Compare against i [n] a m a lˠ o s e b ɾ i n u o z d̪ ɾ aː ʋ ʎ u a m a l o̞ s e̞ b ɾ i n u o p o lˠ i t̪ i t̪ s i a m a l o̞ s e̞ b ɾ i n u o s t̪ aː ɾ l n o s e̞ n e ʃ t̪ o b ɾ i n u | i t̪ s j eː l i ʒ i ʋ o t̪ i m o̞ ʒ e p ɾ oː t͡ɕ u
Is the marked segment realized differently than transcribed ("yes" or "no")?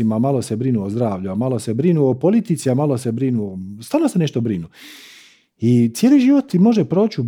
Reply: yes